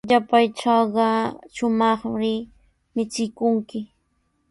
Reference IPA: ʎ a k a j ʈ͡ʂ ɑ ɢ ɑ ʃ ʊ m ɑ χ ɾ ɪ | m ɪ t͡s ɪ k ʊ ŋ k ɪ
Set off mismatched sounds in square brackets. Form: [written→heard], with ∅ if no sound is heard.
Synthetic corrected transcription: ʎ a [k→p] a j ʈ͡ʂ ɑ ɢ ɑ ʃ ʊ m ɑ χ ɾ ɪ | m ɪ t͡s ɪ k ʊ ŋ k ɪ